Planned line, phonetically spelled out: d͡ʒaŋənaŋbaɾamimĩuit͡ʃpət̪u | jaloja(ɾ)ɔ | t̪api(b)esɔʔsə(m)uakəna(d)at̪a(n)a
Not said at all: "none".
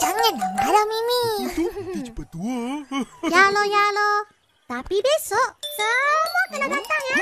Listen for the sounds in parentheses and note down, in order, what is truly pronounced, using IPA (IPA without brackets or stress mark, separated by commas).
l, b, m, d, ŋ